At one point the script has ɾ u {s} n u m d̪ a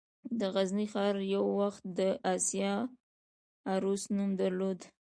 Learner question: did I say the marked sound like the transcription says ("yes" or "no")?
yes